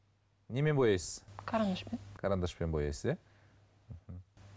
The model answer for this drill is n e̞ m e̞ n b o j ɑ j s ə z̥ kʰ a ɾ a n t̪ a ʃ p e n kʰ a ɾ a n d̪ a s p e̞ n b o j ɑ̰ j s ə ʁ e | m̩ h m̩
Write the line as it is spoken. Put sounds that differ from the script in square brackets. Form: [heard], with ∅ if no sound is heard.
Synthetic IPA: n e̞ m e̞ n b o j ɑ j s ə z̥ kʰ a ɾ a n [d̪] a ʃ p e n kʰ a ɾ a n d̪ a [ʃ] p e̞ n b o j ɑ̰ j s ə [z] e | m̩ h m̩